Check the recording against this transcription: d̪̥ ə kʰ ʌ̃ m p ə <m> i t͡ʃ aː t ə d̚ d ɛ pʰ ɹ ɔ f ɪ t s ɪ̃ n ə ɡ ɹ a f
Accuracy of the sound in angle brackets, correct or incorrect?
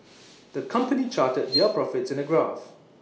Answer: incorrect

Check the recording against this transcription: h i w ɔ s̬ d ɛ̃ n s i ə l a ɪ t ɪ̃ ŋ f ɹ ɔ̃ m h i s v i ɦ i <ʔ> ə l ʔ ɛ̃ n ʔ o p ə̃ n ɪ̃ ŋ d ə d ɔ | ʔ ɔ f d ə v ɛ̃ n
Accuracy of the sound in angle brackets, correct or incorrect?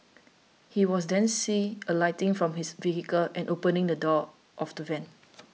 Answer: incorrect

